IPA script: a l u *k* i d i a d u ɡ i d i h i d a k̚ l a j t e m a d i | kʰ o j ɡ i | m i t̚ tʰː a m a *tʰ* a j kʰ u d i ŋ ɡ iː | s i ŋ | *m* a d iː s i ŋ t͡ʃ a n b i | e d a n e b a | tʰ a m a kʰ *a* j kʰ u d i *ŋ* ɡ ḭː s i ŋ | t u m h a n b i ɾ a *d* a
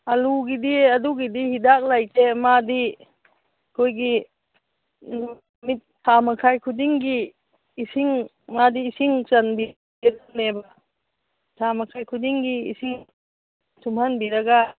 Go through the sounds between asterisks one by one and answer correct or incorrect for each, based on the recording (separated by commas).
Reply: incorrect, incorrect, correct, correct, correct, incorrect